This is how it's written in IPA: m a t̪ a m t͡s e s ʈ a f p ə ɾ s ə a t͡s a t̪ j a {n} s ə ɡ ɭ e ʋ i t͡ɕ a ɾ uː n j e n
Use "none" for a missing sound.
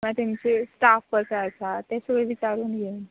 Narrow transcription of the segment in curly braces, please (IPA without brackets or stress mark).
none